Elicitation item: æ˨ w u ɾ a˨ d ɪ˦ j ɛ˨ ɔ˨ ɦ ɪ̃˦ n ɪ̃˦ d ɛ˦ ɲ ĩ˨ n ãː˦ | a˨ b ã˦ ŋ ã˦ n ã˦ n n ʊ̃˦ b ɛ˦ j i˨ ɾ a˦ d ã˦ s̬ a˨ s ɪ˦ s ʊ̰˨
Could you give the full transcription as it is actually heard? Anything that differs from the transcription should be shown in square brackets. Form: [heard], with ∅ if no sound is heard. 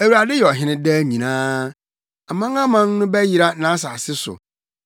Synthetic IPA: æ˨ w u ɾ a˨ d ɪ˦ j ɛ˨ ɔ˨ ɦ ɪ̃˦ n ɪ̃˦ d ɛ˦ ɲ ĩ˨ n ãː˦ | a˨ [m] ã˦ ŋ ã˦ [m] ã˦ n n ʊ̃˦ b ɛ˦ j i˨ ɾ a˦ [n] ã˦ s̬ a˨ s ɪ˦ s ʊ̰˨